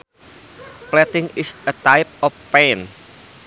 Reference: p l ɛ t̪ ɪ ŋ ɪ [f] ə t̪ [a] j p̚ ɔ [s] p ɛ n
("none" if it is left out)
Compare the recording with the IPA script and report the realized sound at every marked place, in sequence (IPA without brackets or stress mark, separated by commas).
s, a, f